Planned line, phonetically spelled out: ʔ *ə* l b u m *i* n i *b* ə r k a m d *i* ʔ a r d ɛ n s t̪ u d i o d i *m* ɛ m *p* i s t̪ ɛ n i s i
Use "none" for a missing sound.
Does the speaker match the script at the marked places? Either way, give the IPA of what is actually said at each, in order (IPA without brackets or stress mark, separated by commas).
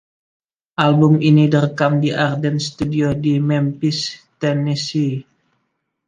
a, i, d, i, m, p